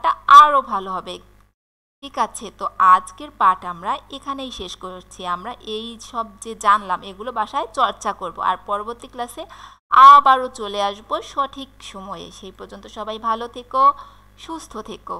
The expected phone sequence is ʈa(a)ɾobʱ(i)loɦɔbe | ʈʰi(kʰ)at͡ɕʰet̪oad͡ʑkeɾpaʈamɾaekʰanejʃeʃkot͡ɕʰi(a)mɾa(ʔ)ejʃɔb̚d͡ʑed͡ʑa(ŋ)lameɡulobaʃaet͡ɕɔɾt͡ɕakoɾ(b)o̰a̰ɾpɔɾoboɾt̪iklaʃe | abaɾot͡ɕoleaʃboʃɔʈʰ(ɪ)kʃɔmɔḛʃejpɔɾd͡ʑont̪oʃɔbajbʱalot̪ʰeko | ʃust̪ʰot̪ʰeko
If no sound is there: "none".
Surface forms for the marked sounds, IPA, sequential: a, a, k, a, ʔ, n, b, i

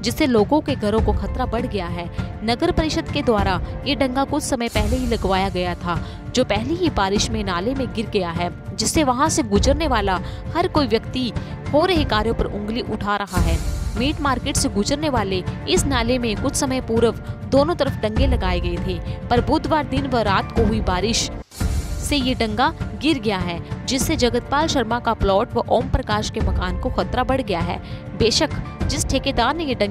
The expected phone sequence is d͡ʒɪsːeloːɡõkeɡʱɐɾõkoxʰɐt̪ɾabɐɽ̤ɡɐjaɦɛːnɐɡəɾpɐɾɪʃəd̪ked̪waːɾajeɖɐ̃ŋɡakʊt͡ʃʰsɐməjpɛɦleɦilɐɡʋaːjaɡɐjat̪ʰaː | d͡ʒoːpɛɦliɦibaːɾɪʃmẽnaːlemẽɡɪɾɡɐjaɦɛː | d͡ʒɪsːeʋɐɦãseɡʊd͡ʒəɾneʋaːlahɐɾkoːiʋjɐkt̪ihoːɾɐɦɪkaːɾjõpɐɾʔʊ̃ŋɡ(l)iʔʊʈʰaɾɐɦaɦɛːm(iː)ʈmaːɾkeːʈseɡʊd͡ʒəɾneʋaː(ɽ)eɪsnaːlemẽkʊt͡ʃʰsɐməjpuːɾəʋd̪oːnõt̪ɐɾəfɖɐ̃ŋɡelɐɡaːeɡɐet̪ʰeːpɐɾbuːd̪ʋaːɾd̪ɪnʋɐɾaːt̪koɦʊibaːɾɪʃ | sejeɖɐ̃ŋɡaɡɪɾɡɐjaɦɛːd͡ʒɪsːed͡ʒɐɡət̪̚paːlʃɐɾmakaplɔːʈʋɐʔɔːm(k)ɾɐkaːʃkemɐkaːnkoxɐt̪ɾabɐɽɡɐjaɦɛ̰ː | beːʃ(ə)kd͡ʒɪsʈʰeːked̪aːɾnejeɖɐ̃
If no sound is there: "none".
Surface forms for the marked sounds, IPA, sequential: l, iː, l, p, ə

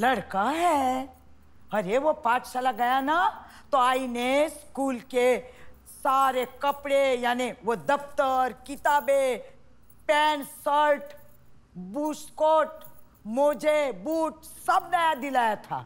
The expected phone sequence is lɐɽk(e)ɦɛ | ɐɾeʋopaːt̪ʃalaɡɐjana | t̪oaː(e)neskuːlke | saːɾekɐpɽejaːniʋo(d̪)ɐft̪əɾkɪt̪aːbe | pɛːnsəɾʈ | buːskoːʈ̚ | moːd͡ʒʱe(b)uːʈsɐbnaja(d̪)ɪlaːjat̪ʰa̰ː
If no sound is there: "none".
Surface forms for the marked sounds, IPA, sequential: a, i, d̪, b, d̪

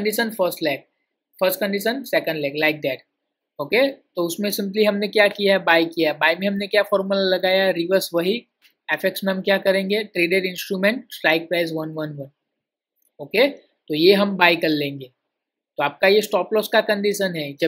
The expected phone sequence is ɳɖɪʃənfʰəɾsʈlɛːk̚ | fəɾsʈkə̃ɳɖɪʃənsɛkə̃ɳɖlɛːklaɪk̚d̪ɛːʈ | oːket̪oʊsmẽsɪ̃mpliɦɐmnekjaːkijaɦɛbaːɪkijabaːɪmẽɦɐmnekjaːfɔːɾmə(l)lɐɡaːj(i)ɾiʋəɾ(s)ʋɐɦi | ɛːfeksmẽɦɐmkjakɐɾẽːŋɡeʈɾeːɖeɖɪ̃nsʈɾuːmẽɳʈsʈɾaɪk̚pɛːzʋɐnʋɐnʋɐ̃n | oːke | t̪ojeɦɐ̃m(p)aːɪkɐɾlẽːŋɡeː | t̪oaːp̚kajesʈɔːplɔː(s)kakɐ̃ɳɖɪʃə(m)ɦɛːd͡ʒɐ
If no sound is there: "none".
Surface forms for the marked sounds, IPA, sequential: l, a, s, b, s, n

